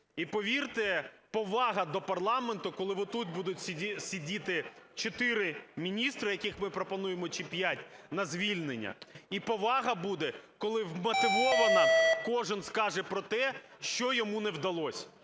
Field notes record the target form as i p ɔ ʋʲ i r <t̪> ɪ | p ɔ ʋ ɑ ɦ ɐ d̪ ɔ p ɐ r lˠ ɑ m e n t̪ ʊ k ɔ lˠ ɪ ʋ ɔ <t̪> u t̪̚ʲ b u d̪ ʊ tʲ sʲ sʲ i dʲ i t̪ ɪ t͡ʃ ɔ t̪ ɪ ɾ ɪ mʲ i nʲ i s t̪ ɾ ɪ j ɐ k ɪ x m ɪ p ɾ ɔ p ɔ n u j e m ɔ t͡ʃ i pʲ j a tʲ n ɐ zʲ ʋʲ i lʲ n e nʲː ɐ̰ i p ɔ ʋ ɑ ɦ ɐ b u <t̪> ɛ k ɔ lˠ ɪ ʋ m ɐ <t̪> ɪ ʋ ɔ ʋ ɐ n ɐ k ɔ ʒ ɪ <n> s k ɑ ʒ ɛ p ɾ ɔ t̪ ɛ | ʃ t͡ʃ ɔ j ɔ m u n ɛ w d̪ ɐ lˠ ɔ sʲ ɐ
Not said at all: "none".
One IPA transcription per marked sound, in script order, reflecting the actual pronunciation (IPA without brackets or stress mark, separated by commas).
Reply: t̪, t̪, d̪, t̪, n